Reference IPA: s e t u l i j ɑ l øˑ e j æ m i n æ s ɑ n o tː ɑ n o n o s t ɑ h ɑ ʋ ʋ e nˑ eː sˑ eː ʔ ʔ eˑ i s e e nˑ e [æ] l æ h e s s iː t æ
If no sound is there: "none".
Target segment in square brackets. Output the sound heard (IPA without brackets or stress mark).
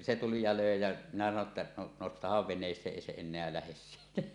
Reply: æ